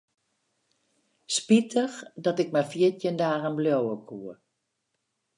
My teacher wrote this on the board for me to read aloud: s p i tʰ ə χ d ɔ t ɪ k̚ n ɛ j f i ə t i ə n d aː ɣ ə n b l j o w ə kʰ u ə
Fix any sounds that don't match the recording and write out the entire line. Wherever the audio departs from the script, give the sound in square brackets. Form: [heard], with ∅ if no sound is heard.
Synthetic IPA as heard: s p i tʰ ə [x] d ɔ t ɪ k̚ [m] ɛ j f i ə t [j] ə n d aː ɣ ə n b l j o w ə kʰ u ə